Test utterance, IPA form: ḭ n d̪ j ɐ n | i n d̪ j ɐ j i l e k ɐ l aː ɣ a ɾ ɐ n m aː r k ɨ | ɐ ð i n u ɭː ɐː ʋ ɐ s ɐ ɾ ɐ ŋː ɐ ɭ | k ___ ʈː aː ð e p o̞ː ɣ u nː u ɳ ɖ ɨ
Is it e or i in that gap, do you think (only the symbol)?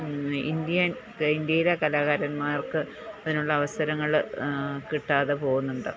i